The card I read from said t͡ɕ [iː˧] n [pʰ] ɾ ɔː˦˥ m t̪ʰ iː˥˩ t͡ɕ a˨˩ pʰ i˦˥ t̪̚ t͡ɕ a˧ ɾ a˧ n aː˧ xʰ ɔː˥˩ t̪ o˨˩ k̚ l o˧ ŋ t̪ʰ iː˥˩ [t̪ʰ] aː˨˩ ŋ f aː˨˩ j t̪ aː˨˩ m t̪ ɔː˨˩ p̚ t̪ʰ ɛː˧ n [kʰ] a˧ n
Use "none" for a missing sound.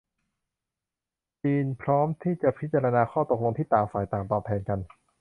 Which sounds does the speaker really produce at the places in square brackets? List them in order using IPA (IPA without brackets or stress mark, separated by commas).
iː˧, pʰ, t̪, k